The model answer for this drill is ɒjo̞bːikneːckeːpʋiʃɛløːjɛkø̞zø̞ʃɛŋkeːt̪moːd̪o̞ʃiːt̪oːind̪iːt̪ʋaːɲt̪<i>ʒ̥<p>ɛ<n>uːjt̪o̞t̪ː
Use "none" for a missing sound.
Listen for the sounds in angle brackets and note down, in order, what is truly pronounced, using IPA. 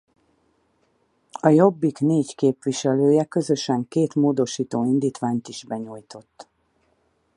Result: i, b, ɲ

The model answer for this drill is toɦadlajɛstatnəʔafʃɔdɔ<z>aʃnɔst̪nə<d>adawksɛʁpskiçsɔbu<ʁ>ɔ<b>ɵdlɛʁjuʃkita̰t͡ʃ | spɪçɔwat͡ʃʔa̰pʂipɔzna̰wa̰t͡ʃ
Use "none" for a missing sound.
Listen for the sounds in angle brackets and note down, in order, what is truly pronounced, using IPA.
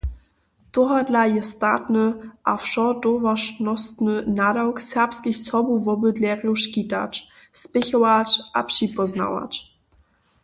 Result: v, n, v, b

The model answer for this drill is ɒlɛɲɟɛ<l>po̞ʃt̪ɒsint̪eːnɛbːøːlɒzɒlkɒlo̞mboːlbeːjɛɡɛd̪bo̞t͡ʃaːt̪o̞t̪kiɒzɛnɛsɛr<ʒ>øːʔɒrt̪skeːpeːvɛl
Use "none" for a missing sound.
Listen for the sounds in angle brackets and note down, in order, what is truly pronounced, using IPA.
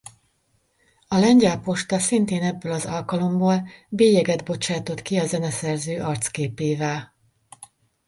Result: l, z

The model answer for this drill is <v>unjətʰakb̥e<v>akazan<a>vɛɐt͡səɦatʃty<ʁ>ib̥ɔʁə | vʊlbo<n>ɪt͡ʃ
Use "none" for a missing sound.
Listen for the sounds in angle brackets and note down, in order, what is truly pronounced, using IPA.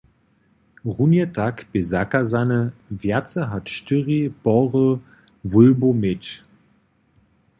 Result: ʁ, z, ə, ʁ, m

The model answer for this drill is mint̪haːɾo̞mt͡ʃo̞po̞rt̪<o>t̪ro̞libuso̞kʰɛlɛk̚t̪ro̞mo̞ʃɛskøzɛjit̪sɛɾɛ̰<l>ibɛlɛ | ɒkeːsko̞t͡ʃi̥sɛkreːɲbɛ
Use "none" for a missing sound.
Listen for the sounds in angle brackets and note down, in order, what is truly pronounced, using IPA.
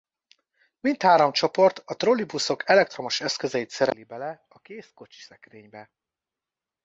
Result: ɒ, l

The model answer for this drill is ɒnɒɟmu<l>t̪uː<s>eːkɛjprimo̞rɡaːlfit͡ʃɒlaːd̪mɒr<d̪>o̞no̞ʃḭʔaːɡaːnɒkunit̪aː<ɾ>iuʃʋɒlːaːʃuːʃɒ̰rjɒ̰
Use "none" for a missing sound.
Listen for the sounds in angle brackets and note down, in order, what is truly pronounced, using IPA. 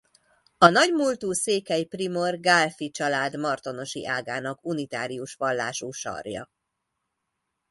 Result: l, s, t̪, ɾ

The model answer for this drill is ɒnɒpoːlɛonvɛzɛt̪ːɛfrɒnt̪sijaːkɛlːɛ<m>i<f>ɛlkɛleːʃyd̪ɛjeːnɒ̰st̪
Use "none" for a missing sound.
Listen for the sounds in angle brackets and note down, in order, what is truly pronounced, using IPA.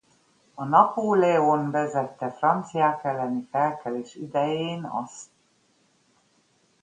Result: n, f

